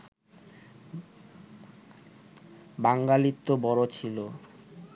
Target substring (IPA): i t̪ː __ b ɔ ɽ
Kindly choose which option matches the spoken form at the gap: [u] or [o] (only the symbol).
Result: o